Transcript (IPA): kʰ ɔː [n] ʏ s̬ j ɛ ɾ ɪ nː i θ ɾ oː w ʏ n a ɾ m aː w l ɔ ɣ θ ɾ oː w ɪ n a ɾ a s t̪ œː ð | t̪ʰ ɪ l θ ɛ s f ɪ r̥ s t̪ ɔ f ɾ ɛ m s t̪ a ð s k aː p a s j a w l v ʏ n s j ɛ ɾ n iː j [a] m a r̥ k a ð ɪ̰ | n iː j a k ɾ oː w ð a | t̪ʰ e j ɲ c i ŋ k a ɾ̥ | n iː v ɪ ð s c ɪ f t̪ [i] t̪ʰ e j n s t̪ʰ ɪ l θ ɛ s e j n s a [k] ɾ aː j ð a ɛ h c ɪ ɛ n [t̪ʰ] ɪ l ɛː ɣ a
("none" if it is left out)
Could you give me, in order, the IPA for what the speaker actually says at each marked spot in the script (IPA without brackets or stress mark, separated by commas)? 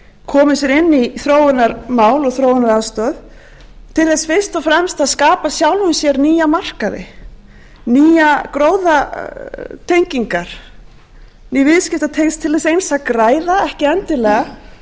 m, a, a, k, t̪